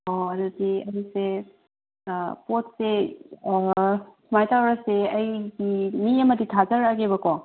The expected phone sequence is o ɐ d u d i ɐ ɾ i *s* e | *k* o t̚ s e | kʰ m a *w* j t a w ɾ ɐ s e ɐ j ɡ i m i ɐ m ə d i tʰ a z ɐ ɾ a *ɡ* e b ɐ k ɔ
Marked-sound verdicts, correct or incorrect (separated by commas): correct, incorrect, incorrect, correct